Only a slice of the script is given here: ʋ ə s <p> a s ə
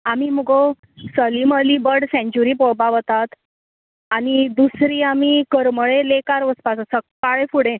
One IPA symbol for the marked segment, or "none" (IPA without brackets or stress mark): p